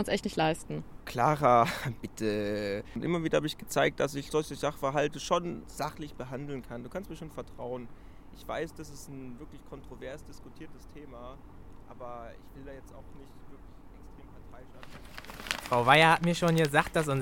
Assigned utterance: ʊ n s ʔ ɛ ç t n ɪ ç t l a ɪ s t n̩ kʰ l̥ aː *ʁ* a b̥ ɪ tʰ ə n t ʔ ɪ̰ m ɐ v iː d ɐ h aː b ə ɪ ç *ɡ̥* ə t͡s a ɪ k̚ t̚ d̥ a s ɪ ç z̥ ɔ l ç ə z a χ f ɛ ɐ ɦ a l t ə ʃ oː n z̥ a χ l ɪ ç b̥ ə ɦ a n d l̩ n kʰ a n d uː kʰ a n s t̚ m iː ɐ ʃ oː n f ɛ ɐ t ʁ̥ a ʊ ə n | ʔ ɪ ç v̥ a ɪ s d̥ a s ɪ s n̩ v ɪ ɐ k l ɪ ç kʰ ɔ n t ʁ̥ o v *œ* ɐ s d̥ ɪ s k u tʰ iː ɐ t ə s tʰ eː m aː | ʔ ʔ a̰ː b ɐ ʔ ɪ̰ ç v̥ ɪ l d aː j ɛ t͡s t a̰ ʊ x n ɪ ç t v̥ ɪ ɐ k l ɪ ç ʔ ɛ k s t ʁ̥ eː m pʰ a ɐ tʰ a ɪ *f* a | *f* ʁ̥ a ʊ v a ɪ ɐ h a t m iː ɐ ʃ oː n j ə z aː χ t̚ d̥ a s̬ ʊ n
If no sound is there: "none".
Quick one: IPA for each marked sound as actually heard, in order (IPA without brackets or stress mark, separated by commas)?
ʁ, ɡ̥, ɛ, ʃ, f